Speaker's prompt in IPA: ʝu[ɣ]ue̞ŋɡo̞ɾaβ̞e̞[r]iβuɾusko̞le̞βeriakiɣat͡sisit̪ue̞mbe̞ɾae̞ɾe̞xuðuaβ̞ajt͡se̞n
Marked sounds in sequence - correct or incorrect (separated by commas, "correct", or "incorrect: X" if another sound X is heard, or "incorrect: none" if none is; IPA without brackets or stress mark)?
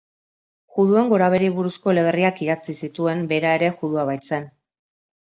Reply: incorrect: ð, incorrect: ɾ